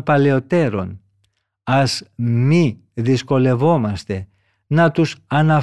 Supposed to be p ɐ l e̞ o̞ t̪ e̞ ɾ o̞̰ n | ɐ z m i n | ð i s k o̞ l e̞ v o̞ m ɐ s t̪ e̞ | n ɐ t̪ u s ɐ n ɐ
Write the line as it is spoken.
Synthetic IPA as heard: p ɐ l e̞ o̞ t̪ e̞ ɾ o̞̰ n | ɐ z m i | ð i s k o̞ l e̞ v o̞ m ɐ s t̪ e̞ | n ɐ t̪ u s ɐ n ɐ